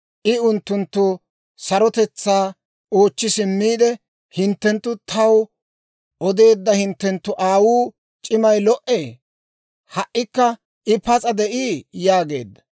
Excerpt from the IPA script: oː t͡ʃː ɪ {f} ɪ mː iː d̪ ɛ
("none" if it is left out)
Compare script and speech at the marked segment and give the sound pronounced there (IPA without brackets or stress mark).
s